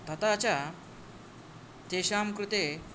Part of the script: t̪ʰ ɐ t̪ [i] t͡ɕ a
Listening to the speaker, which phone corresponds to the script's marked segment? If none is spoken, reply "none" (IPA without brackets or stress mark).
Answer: a